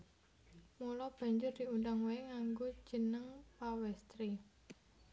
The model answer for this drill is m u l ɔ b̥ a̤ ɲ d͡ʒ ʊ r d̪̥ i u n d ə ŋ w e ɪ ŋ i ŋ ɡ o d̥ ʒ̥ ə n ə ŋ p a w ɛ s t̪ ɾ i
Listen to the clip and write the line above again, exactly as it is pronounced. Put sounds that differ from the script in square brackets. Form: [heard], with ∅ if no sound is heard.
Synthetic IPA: m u l ɔ b̥ a̤ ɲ d͡ʒ ʊ r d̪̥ i u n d [a] ŋ w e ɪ ŋ [a] ŋ ɡ o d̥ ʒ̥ ə n ə ŋ p a w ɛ s t̪ ɾ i